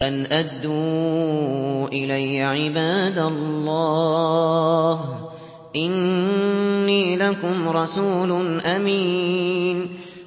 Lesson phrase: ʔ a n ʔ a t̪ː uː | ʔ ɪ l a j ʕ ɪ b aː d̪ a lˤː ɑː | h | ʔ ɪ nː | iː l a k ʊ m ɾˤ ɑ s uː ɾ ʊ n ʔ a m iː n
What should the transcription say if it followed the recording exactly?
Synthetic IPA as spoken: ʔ a n ʔ a d̪ː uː | ʔ ɪ l a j ʕ ɪ b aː d̪ a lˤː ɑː | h | ʔ ɪ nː | iː l a k ʊ m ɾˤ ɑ s uː l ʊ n ʔ a m iː n